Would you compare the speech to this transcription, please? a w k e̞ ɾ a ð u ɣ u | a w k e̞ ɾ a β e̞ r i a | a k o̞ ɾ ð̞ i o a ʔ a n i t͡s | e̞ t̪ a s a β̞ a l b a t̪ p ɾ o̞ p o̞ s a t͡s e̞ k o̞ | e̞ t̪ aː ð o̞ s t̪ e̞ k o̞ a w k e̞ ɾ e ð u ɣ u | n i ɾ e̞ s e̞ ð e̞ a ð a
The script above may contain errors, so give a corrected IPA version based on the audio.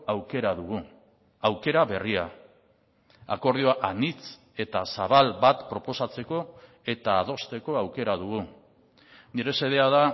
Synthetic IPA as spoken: a w k e̞ ɾ a ð u ɣ u | a w k e̞ ɾ a β e̞ r i a | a k o̞ ɾ ð̞ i o a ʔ a n i t͡s | e̞ t̪ a s a β̞ a l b a t̪ p ɾ o̞ p o̞ s a t͡s e̞ k o̞ | e̞ t̪ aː ð o̞ s t̪ e̞ k o̞ a w k e̞ ɾ a ð u ɣ u | n i ɾ e̞ s e̞ ð e̞ a ð a